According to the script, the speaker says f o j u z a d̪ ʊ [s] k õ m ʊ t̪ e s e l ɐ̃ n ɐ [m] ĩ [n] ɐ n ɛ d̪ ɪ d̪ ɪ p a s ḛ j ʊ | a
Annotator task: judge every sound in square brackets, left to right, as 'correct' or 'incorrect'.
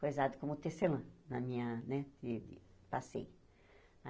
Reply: incorrect: none, correct, incorrect: ɲ

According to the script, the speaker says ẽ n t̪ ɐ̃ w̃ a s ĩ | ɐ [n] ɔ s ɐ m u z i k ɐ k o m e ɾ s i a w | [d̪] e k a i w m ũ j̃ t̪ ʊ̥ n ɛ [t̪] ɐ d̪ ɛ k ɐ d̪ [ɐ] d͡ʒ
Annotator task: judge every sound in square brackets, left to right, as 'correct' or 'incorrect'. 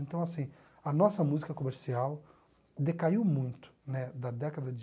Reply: correct, correct, incorrect: d̪, correct

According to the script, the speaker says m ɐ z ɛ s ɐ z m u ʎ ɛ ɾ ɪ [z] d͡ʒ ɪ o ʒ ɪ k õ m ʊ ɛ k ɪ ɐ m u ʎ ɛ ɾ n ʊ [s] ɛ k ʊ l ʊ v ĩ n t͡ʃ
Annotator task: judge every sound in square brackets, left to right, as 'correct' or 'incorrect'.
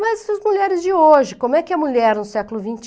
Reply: correct, correct

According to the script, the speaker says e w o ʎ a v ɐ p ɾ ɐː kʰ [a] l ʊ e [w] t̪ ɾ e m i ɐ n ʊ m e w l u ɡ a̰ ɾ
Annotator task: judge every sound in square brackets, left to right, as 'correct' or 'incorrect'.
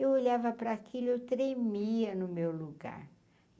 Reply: incorrect: i, correct

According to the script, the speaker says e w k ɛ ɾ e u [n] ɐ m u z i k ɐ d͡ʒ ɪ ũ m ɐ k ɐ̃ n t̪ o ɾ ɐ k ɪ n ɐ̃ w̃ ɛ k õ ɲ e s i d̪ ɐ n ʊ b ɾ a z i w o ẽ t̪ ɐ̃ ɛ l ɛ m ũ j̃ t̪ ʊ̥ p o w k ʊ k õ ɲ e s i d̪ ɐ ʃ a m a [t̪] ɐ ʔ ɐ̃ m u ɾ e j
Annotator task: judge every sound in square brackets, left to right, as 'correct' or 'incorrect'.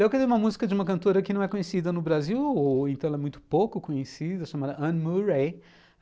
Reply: incorrect: m, incorrect: d̪

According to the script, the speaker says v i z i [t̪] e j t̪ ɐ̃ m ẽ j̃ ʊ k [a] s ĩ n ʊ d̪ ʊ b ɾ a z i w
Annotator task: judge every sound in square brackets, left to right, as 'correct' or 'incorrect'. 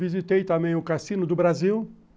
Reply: correct, correct

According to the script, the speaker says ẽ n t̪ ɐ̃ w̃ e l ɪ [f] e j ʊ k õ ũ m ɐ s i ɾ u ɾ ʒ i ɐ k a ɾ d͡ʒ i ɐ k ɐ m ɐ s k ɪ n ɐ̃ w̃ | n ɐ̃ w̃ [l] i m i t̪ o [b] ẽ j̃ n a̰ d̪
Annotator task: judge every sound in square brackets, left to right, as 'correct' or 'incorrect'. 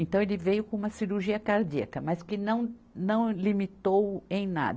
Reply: incorrect: v, correct, incorrect: w

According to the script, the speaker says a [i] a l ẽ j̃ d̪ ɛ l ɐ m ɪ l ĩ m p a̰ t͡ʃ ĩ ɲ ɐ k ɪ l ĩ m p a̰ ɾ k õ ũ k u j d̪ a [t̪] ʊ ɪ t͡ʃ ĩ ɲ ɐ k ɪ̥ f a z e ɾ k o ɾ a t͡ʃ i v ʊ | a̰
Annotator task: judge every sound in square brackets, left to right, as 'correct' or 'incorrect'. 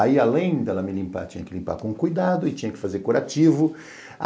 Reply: correct, incorrect: d̪

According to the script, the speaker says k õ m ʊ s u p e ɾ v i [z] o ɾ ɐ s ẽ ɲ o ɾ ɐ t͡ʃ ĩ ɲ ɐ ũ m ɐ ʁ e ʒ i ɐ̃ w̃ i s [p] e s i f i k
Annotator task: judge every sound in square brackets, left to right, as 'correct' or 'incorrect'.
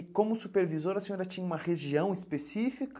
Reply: correct, correct

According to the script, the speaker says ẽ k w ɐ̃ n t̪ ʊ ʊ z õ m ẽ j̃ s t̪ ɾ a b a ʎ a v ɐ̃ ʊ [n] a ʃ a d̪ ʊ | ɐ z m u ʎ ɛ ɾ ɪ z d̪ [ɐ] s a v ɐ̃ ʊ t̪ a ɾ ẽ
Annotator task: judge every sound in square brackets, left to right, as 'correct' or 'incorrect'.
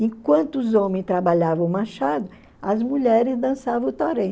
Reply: incorrect: m, incorrect: ɐ̃

